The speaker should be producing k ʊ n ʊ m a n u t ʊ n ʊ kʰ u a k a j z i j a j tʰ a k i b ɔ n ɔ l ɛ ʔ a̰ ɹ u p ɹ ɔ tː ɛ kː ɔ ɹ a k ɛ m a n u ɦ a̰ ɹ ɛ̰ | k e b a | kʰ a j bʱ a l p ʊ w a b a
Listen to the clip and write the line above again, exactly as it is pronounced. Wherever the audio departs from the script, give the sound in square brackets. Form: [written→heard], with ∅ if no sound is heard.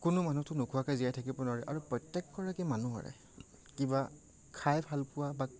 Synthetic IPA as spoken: k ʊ n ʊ m a n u t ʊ n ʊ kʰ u a k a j z i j a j tʰ a k i b ɔ n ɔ [l→ɹ] ɛ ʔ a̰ ɹ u p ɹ ɔ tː ɛ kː ɔ ɹ a k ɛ m a n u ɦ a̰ ɹ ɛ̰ | k [e→i] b a | kʰ a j bʱ a l p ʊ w a b a